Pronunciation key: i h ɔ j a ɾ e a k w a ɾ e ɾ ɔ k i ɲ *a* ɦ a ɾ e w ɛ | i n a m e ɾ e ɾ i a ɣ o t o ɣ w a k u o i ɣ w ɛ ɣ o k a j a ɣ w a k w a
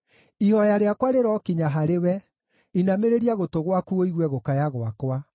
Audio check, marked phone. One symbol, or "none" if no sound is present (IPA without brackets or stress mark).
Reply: a